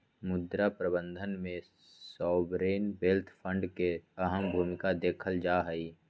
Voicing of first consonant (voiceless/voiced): voiced